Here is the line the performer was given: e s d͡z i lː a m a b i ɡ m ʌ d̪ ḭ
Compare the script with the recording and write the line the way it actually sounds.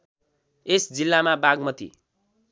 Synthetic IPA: e s d͡z i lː a m a b a ɡ m ʌ t̪ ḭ